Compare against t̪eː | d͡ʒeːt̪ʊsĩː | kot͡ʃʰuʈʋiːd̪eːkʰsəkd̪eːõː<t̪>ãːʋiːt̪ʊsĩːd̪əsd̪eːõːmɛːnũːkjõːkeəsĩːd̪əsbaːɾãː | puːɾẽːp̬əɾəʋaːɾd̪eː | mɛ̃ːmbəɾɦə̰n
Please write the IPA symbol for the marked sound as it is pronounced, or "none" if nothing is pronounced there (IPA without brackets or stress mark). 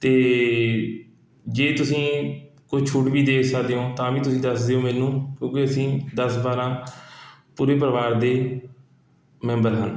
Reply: t̪